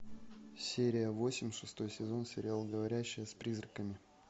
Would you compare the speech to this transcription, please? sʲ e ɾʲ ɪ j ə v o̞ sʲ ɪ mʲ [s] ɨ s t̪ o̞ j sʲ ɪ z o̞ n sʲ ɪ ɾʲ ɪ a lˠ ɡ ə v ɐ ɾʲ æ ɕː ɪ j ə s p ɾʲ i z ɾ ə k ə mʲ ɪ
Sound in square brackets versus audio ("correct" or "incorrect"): incorrect